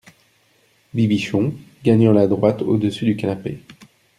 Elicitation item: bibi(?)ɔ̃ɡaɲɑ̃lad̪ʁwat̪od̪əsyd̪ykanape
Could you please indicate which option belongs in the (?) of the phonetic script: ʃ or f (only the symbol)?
ʃ